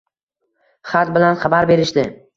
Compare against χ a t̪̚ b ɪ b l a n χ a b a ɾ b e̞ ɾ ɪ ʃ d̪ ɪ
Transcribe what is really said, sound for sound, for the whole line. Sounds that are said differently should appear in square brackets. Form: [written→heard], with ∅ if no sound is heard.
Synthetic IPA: χ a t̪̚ b ɪ [b→∅] l a n χ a b a ɾ b e̞ ɾ ɪ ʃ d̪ ɪ